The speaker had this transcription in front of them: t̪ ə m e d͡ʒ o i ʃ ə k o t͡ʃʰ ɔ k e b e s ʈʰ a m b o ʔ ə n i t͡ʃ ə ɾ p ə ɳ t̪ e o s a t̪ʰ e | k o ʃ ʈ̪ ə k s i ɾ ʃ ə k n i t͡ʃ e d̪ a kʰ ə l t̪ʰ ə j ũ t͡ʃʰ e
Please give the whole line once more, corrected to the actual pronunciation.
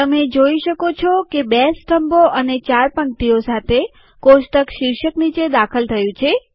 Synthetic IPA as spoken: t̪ ə m e d͡ʒ o i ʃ ə k o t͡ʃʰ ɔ k e b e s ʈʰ ə m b o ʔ ə n e t͡ʃ a ɾ p ə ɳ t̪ i o s a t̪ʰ e | k o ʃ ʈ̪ ə k ʃ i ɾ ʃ ə k n i t͡ʃ e d̪ a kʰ ə l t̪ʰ ə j ũ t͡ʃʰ e